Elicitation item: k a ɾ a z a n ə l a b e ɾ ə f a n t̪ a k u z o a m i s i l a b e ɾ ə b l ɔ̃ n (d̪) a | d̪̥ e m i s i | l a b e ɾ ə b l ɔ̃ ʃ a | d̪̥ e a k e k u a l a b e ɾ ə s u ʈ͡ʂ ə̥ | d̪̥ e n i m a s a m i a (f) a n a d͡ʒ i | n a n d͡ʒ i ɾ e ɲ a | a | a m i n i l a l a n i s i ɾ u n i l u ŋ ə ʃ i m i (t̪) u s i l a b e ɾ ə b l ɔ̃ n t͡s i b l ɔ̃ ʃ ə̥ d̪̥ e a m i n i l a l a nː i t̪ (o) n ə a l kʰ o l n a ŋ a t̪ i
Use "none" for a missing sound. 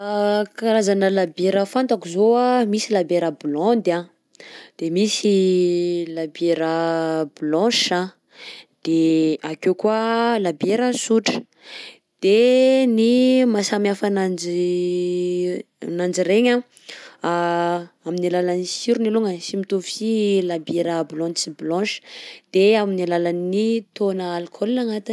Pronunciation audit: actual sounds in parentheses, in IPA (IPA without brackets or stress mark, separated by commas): d̪, f, t̪, o